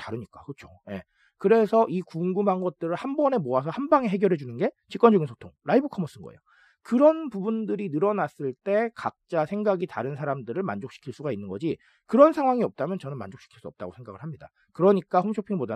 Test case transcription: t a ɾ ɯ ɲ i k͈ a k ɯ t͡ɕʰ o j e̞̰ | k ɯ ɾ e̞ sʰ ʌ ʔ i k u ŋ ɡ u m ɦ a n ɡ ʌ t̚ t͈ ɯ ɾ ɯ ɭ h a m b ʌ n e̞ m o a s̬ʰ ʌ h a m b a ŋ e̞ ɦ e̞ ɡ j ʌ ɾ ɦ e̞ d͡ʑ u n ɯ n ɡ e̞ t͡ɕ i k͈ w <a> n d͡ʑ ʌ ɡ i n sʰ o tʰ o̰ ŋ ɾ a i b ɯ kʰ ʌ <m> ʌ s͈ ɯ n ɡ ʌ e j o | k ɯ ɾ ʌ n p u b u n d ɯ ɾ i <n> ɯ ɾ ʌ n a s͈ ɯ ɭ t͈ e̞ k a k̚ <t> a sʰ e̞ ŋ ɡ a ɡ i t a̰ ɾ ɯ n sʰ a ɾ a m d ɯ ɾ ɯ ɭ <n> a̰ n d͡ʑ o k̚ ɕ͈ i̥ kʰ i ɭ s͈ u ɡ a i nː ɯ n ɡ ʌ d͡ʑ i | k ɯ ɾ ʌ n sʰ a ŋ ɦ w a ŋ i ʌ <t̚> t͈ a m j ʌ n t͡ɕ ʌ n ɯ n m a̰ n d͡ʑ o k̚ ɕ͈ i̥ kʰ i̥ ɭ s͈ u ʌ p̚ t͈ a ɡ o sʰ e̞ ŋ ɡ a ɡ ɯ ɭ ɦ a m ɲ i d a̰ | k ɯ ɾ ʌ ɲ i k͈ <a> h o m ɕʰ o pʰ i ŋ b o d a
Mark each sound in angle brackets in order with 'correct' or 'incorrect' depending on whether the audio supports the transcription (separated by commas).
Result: incorrect, correct, correct, incorrect, incorrect, incorrect, correct